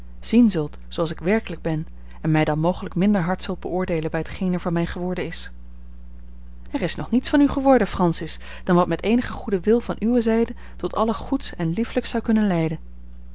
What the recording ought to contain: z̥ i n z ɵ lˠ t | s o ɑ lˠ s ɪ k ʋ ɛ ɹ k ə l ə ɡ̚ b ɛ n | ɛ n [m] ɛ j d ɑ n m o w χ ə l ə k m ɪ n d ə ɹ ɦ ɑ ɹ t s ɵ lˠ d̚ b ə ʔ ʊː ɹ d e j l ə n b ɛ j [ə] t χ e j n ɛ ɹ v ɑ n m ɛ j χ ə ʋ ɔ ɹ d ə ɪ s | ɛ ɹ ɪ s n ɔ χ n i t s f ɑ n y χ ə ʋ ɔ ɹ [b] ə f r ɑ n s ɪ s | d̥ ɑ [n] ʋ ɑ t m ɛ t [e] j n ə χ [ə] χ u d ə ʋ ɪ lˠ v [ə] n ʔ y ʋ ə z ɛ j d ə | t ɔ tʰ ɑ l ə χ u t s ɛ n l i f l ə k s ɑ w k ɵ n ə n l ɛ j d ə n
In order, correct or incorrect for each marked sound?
correct, correct, incorrect, correct, correct, correct, incorrect

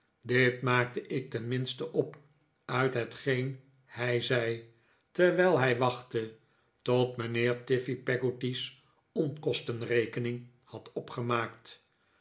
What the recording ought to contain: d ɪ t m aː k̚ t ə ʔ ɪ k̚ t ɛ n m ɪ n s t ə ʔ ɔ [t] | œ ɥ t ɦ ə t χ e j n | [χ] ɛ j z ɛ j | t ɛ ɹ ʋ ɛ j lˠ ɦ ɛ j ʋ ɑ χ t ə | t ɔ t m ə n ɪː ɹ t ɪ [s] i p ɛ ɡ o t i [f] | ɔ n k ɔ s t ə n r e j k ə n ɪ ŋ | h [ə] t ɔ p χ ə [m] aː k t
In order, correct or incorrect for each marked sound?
incorrect, incorrect, incorrect, incorrect, incorrect, correct

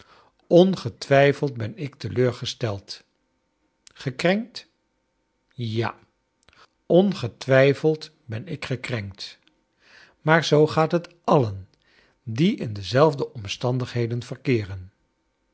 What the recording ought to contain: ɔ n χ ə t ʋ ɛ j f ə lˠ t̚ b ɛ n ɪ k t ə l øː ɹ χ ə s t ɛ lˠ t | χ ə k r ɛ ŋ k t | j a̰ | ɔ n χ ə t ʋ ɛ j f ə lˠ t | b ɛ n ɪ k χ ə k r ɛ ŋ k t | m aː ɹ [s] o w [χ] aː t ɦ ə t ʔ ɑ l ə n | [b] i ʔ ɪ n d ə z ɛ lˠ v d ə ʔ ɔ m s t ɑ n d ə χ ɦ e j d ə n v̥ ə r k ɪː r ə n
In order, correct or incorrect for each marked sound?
incorrect, correct, incorrect

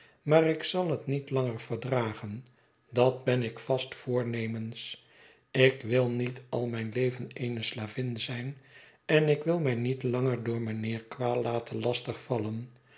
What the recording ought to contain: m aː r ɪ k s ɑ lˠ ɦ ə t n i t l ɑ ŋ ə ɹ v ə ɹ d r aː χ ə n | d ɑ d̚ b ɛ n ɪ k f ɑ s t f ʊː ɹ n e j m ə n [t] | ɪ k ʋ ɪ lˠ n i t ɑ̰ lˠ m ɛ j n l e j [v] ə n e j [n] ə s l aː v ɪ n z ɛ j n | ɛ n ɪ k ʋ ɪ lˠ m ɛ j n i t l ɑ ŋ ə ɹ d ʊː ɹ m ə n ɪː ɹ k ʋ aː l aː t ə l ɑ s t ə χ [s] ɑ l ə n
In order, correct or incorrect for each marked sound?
incorrect, correct, correct, incorrect

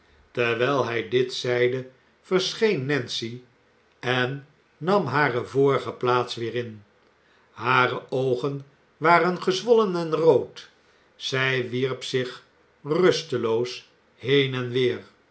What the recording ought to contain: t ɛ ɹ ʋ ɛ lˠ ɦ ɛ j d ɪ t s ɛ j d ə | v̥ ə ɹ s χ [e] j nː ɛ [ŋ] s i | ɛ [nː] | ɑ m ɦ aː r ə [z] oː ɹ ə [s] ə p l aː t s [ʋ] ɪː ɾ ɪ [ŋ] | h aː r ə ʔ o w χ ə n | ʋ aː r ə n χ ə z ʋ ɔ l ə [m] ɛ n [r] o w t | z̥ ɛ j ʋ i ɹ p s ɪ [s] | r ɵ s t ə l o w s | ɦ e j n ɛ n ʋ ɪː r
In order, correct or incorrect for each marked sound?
correct, incorrect, correct, incorrect, incorrect, correct, incorrect, incorrect, correct, incorrect

